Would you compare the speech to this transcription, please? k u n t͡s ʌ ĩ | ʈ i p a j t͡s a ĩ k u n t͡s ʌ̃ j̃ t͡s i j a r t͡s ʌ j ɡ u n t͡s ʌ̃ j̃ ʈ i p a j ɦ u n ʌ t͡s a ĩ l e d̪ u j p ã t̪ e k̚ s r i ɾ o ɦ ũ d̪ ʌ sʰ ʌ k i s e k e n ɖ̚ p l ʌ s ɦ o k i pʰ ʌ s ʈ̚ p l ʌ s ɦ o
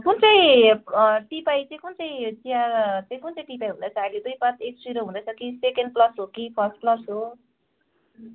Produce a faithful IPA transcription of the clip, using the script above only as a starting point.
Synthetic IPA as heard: k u n t͡s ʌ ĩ | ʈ i p a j t͡s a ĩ k u n t͡s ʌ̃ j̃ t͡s i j a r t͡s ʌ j k u n t͡s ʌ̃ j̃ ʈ i p a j ɦ u n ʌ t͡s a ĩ l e d̪ u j p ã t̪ e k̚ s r i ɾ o ɦ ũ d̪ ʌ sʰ ʌ k i s e k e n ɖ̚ p l ʌ s ɦ o k i pʰ ʌ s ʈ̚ p l ʌ s ɦ o

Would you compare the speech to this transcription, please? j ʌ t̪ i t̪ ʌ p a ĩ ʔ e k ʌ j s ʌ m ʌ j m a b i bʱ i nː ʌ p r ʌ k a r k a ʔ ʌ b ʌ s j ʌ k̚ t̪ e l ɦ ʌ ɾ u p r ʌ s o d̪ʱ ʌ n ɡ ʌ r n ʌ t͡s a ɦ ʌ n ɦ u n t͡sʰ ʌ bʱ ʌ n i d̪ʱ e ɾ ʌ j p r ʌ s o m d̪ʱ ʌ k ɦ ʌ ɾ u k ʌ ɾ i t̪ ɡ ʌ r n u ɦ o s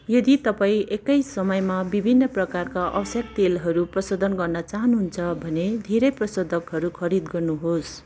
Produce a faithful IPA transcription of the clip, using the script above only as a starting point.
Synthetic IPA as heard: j ʌ d̪ i t̪ ʌ p a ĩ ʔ e k ʌ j s ʌ m ʌ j m a b i bʱ i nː ʌ p r ʌ k a r k a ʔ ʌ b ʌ s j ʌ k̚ t̪ e l ɦ ʌ ɾ u p r ʌ s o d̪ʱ ʌ n ɡ ʌ r n ʌ t͡s a ɦ ʌ n ɦ u n t͡sʰ ʌ bʱ ʌ n e d̪ʱ e ɾ ʌ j p r ʌ s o d̪ʱ ʌ k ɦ ʌ ɾ u kʰ ʌ ɾ i d̪ ɡ ʌ r n u ɦ o s

